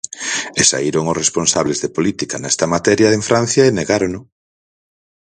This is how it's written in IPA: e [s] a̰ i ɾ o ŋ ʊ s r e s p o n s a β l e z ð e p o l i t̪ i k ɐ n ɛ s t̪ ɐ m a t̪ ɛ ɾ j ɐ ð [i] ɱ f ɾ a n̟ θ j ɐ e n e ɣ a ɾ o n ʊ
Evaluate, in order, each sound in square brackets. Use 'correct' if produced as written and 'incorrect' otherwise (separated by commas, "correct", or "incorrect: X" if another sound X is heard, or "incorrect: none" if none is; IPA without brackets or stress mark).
correct, incorrect: e